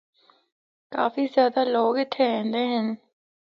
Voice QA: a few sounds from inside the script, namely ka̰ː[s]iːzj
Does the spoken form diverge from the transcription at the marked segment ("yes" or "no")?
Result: yes